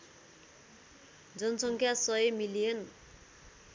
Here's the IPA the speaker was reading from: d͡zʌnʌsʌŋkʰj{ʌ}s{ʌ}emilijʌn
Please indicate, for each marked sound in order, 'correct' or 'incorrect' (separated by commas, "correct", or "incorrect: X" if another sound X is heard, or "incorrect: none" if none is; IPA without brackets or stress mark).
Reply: incorrect: a, correct